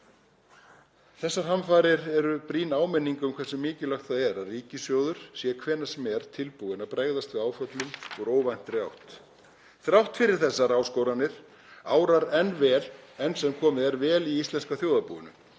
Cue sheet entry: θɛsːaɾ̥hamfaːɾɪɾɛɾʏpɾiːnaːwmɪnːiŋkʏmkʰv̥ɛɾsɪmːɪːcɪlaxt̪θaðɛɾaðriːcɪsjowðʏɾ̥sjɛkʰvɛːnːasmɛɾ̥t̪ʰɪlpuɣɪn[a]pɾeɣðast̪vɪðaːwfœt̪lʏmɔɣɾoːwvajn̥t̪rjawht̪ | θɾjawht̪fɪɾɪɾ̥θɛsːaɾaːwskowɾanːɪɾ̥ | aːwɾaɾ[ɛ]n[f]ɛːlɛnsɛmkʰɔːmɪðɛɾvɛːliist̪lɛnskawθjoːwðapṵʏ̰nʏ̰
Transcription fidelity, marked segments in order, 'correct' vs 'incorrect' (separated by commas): correct, correct, incorrect